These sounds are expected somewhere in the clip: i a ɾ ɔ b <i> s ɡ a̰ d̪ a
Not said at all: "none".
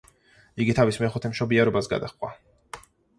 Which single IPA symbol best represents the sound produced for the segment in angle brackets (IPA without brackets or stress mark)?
a